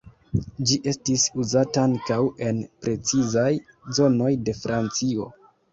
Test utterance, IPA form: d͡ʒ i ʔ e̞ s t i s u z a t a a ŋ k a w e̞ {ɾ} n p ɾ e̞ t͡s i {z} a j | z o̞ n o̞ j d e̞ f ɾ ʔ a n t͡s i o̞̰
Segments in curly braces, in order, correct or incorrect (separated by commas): incorrect, correct